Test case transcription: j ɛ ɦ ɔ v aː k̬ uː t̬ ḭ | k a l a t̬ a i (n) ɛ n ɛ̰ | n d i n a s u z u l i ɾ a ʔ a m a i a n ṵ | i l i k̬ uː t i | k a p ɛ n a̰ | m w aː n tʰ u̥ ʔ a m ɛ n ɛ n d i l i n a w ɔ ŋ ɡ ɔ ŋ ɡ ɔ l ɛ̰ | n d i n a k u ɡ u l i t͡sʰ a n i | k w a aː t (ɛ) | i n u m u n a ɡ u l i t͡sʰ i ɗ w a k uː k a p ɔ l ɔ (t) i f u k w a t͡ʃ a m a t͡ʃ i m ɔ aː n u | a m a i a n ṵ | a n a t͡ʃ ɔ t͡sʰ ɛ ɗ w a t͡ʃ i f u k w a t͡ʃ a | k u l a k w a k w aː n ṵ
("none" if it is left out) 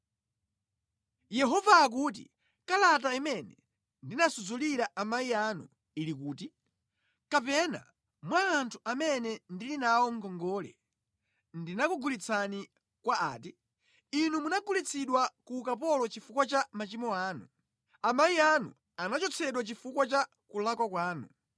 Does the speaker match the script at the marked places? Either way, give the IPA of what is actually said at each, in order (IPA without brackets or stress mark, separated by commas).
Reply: m, i, t͡ʃ